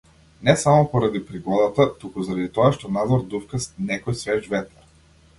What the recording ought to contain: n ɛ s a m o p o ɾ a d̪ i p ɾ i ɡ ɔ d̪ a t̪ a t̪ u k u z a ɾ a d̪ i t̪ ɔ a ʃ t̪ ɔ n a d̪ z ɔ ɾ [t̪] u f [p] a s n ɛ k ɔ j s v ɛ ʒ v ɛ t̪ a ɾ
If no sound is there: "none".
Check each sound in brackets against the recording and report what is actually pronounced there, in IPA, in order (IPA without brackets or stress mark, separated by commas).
d̪, k